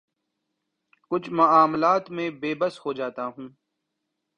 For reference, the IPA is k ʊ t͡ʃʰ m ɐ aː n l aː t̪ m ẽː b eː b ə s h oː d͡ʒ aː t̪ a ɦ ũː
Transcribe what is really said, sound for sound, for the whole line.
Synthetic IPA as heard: k ʊ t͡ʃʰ m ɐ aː m l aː t̪ m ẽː b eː b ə s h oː d͡ʒ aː t̪ a ɦ ũː